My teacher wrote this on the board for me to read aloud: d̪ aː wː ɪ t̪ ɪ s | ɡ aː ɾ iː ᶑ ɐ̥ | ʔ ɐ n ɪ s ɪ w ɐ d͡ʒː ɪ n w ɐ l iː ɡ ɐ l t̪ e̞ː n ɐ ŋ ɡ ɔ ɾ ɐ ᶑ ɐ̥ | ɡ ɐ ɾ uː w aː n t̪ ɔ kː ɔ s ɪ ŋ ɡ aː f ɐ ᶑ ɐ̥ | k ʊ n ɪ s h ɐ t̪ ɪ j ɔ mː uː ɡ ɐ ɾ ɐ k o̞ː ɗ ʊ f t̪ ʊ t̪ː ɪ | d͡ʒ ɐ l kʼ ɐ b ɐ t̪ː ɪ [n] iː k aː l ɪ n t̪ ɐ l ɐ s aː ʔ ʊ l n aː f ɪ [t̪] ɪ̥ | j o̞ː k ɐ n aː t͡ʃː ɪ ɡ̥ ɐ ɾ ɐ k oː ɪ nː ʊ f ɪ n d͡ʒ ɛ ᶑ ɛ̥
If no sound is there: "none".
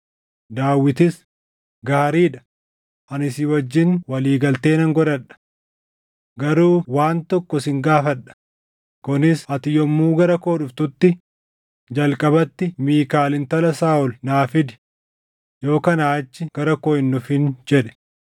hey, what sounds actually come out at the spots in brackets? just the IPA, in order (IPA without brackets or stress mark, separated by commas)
m, d̪